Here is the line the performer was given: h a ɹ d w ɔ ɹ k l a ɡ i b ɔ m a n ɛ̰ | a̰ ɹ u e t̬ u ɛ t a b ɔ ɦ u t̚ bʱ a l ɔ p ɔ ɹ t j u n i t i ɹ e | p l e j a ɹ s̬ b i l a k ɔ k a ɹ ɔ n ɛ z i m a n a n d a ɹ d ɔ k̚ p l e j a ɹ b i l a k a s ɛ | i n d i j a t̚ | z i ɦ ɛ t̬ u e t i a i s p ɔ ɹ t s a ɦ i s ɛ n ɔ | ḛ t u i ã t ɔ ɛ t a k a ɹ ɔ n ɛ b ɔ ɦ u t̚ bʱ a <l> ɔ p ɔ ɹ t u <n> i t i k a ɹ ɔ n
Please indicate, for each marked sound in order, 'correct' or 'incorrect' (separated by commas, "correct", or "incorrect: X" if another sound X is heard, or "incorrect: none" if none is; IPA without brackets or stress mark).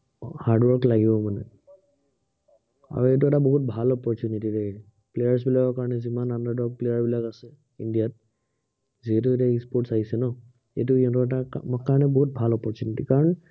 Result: correct, correct